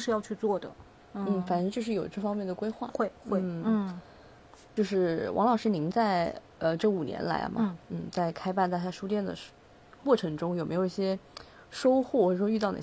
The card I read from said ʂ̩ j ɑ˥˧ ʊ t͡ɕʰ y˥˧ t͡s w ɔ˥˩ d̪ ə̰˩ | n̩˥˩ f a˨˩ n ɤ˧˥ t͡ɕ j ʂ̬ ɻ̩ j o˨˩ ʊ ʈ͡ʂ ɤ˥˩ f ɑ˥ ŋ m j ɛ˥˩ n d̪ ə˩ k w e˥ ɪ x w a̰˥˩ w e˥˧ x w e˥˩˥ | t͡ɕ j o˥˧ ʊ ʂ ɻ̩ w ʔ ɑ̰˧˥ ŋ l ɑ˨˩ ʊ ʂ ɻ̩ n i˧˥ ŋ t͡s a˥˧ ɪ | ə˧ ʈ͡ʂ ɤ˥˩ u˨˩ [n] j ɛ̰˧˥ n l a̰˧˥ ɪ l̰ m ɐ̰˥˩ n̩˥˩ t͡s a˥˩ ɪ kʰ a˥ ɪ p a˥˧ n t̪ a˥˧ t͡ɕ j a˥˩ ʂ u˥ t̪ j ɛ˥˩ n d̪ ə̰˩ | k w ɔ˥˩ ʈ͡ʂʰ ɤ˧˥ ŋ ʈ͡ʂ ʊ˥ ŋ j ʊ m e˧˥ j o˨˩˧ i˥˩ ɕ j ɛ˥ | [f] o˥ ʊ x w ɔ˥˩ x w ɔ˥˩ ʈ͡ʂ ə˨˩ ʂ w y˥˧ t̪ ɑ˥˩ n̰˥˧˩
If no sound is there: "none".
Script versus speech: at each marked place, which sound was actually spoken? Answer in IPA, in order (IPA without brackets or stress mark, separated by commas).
n, ʂ